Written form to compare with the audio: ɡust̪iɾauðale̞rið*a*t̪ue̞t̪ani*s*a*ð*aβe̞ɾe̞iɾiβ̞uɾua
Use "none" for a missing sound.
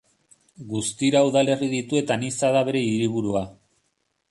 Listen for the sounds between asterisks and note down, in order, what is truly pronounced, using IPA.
i, s, ð

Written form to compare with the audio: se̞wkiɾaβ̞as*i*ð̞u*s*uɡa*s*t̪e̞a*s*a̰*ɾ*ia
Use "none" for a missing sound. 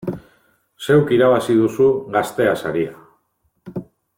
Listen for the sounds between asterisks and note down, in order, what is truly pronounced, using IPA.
i, s, s, s, ɾ

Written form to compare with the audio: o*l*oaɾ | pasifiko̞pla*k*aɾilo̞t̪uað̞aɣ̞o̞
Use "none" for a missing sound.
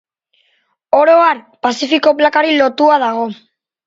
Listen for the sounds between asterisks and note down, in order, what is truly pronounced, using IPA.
ɾ, k

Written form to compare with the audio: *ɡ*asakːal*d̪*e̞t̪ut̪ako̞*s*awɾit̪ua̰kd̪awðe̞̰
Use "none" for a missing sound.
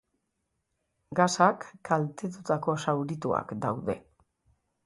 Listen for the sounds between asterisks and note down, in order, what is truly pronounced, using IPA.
ɡ, t̪, s

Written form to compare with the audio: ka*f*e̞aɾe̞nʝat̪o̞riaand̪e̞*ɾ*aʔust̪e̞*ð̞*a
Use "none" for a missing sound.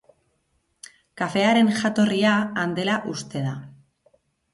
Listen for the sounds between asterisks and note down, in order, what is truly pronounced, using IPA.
f, l, ð̞

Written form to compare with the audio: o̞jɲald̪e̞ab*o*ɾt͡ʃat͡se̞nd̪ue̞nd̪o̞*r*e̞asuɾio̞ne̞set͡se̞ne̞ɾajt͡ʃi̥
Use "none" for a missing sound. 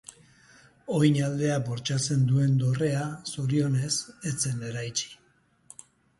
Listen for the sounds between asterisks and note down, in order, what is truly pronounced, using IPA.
o, r

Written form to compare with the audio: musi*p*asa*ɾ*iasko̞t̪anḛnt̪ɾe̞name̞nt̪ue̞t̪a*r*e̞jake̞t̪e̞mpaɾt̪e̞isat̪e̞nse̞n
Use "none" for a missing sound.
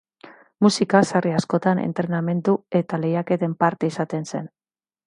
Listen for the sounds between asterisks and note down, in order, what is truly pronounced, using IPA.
k, r, l

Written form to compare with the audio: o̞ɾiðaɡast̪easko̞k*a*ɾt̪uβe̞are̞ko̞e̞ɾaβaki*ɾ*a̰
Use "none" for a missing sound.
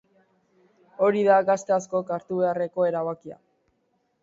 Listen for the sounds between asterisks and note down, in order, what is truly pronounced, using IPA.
a, none

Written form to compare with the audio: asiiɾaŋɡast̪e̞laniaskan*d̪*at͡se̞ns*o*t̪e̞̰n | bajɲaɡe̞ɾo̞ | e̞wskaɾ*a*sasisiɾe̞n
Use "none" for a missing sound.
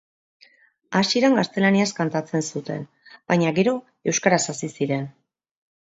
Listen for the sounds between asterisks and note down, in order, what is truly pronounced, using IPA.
t̪, u, a

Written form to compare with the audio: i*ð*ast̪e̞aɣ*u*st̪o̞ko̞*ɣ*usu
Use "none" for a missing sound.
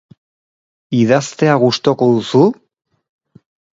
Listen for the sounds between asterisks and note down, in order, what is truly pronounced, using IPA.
ð, u, ð

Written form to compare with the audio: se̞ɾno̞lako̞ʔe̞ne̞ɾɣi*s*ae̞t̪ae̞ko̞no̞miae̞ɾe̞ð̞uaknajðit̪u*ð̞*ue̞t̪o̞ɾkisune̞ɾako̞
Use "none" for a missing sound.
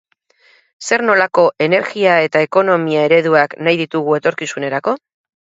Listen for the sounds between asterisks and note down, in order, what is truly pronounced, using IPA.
none, ɣ̞

